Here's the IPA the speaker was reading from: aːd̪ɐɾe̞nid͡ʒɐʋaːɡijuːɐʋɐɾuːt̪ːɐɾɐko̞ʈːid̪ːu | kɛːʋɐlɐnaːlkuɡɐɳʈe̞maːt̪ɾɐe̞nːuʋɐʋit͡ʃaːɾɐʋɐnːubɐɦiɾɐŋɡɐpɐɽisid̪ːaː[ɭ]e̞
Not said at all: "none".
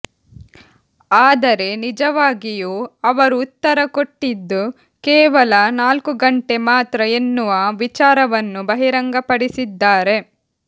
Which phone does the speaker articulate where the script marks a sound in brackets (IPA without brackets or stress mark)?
ɾ